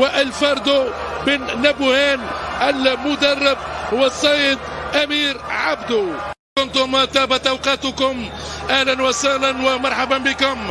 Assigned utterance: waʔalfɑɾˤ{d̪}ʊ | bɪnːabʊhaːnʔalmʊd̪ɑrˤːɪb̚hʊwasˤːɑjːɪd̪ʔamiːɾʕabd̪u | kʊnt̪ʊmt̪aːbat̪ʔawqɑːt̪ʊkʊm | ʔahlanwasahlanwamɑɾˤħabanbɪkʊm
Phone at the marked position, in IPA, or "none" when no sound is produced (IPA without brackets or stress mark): d̪